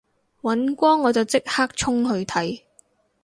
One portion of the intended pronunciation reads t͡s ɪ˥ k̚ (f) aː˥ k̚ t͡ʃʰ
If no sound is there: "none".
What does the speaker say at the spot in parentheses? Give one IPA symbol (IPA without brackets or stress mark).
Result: h